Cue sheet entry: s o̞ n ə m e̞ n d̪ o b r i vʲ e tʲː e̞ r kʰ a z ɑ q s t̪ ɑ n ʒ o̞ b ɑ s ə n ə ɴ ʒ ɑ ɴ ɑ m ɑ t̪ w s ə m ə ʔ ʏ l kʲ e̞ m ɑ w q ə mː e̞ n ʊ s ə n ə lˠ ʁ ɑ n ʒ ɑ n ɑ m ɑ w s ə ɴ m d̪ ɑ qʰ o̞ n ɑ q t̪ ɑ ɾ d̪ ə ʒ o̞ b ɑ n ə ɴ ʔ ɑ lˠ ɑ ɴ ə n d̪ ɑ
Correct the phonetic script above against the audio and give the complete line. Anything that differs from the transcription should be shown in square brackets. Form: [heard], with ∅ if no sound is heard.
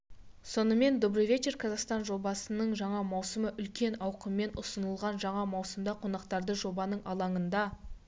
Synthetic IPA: s o̞ n ə m e̞ n d̪ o b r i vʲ e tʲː e̞ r kʰ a z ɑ q s t̪ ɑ n ʒ o̞ b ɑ s ə n ə ɴ ʒ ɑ ɴ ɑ m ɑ [∅] w s ə m ə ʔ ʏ l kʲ e̞ [n] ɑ w q ə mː e̞ n ʊ s ə n ə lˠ ʁ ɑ n ʒ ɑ [ɴ] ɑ m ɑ w s ə [∅] m d̪ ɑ qʰ o̞ n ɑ q t̪ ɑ ɾ d̪ ə ʒ o̞ b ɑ n ə ɴ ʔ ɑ lˠ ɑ ɴ ə n d̪ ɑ